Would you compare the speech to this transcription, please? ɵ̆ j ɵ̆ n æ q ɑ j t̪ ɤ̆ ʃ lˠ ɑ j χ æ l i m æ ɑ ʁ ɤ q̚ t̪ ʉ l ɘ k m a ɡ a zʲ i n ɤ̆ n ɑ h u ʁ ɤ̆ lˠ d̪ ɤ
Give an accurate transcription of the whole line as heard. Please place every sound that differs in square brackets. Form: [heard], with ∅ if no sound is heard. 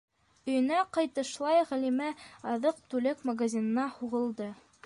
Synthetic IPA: ɵ̆ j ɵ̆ n æ q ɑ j t̪ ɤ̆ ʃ lˠ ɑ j [ʁ] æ l i m æ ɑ [ð] ɤ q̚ t̪ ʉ l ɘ k m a ɡ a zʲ i n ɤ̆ n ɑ h u ʁ ɤ̆ lˠ d̪ ɤ